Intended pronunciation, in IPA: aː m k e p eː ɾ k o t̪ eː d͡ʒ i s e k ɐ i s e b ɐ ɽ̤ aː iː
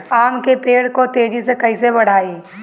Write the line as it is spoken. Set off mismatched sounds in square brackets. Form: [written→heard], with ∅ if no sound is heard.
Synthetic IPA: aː m k e p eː [ɾ→ɽ] k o t̪ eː d͡ʒ i s e k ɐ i s e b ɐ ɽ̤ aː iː